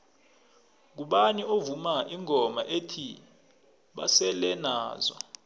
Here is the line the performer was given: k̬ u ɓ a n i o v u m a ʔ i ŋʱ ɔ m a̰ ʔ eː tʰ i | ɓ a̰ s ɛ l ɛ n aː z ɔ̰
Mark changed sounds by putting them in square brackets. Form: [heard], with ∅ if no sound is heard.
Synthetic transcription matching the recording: k̬ u ɓ a n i o v u m a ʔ i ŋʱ ɔ m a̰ ʔ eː tʰ i | ɓ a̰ s ɛ l ɛ n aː z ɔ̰